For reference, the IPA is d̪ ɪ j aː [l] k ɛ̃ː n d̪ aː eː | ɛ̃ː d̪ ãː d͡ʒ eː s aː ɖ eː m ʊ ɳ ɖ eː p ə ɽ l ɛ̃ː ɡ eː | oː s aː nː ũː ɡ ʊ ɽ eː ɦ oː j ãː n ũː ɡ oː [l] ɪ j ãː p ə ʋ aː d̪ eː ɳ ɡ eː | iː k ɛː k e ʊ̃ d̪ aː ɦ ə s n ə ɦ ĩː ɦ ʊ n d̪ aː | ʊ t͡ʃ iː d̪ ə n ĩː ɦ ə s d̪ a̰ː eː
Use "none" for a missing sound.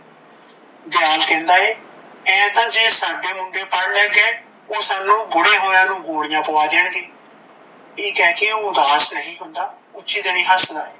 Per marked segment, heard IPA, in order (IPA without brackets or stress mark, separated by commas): l, ɽ